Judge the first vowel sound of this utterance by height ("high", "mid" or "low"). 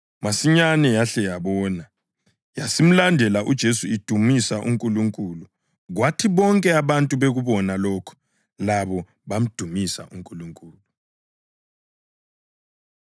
low